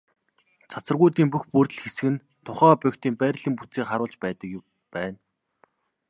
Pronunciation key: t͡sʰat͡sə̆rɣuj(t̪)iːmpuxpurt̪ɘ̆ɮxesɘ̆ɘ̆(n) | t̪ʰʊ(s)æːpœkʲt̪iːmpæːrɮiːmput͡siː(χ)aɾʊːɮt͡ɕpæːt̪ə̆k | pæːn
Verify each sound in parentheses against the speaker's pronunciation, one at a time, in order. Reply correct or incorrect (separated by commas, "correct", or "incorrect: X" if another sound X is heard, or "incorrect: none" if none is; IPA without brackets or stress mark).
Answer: correct, correct, incorrect: χ, correct